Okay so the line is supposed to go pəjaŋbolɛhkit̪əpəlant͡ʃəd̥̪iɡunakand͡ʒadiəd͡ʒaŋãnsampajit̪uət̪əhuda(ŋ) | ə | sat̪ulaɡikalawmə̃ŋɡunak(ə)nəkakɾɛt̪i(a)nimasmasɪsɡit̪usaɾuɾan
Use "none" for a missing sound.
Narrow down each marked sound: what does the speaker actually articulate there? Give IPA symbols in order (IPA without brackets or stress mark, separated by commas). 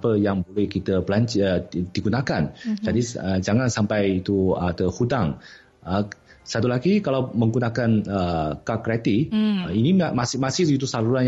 ŋ, a, i